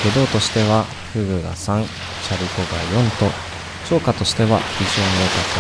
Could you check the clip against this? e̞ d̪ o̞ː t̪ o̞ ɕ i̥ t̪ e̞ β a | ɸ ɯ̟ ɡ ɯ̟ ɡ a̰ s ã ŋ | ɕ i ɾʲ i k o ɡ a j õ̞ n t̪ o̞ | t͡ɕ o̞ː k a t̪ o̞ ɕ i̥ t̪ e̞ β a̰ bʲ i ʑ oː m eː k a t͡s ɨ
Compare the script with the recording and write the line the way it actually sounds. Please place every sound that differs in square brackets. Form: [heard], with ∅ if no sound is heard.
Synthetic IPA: e̞ d̪ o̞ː t̪ o̞ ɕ i̥ t̪ e̞ β a | ɸ ɯ̟ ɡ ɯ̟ ɡ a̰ s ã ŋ | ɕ [a] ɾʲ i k o ɡ a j õ̞ n t̪ o̞ | t͡ɕ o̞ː k a t̪ o̞ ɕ i̥ t̪ e̞ β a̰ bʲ i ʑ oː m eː k a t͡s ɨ